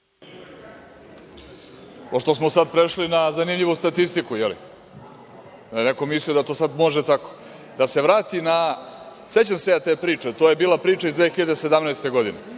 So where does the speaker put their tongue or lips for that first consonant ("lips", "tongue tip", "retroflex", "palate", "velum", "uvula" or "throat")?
lips